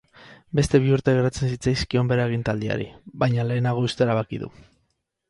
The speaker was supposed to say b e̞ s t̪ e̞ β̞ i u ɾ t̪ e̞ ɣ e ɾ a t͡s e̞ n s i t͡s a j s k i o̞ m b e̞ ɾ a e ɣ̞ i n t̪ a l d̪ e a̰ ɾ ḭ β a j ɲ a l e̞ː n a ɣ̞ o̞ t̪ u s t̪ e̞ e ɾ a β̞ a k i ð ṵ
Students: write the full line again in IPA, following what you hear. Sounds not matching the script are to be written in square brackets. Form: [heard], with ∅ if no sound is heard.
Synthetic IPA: b e̞ s t̪ e̞ β̞ i u ɾ t̪ e̞ ɣ e ɾ a t͡s e̞ n s i t͡s a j s k i o̞ m b e̞ ɾ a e ɣ̞ i n t̪ a l d̪ [i] a̰ ɾ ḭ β a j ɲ a l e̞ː n a ɣ̞ o̞ [∅] u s t̪ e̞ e ɾ a β̞ a k i ð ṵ